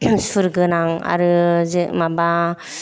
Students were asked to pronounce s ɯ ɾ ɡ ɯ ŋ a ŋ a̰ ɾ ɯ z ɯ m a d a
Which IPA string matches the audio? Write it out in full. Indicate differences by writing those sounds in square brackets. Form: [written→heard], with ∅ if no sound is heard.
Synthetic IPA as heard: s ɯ ɾ ɡ ɯ [ŋ→n] a ŋ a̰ ɾ ɯ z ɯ m a [d→b] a